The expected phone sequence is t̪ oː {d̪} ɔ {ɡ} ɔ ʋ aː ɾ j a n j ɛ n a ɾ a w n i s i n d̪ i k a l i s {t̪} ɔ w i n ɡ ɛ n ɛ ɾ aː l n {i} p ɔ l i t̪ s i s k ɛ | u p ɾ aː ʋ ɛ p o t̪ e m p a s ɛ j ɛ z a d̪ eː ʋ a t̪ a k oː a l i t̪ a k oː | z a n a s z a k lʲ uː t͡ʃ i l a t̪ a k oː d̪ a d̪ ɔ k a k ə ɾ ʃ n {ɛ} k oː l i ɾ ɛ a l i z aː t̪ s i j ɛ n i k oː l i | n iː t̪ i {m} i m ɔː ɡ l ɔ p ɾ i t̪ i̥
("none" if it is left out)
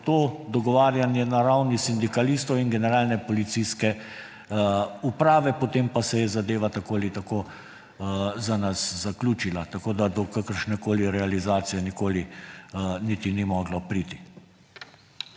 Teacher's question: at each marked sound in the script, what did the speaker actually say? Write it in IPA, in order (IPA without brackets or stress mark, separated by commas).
d̪, ɡ, t̪, ɛ, ɛ, n